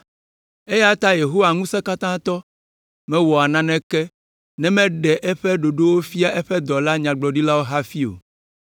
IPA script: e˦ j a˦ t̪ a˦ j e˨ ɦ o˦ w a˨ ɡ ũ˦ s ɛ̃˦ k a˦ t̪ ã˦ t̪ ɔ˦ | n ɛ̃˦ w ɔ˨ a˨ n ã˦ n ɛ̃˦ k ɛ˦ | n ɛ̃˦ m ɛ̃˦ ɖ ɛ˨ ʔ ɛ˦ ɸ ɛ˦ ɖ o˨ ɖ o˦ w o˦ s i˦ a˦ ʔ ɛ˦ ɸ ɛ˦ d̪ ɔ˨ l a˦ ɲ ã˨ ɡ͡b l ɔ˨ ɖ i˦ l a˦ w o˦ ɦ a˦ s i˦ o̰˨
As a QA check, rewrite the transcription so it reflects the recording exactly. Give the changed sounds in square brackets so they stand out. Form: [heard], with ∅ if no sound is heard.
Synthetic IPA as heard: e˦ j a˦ t̪ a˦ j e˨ ɦ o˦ w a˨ [ŋ] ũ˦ s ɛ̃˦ k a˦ t̪ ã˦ t̪ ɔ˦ | [m] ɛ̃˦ w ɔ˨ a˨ n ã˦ n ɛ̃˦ k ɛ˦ | n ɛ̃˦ m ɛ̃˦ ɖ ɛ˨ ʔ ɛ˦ ɸ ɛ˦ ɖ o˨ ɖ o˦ w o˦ [f] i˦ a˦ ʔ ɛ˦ ɸ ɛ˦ d̪ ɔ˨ l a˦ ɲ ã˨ ɡ͡b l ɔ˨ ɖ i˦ l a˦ w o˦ ɦ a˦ [f] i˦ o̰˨